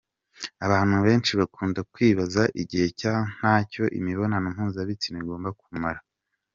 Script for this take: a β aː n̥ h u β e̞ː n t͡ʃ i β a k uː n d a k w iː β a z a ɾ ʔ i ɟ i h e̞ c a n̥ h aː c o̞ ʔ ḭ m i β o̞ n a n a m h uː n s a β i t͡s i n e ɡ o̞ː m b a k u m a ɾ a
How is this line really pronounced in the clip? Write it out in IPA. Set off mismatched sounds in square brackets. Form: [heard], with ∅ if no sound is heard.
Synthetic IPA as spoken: a β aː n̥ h u β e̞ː n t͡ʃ i β a k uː n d a k w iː β a z a [∅] ʔ i ɟ i h e̞ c a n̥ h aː c o̞ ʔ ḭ m i β o̞ n a n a m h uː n [z] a β i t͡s i n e ɡ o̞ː m b a k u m a ɾ a